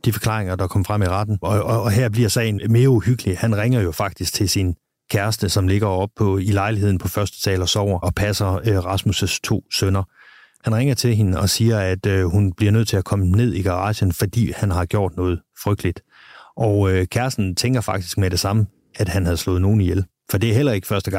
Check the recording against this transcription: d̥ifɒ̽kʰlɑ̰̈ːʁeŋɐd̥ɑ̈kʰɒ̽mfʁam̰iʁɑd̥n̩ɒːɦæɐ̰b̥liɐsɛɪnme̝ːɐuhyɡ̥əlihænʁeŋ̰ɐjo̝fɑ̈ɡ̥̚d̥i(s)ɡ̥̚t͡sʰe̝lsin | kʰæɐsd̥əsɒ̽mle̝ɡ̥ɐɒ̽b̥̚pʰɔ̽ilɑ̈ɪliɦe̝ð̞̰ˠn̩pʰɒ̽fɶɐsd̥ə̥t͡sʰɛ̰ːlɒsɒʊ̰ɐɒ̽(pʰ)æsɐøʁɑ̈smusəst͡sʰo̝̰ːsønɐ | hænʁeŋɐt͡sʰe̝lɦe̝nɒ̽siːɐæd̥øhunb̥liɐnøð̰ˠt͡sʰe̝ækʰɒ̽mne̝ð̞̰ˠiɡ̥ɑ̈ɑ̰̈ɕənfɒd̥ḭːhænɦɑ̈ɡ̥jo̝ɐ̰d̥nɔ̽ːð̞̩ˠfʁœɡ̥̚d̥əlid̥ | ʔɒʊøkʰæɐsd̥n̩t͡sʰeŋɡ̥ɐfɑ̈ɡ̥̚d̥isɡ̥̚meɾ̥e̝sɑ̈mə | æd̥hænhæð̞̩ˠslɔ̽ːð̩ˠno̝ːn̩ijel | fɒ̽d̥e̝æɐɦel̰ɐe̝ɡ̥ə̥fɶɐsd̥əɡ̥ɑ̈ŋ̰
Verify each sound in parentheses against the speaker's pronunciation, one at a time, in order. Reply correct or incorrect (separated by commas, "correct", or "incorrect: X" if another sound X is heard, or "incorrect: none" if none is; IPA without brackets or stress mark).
correct, correct